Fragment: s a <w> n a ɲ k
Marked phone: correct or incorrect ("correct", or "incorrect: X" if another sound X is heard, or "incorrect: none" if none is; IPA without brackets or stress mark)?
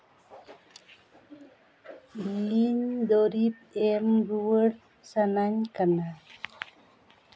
incorrect: none